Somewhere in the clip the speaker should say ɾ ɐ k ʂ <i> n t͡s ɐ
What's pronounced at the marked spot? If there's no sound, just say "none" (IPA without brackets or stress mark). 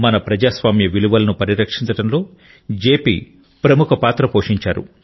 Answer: i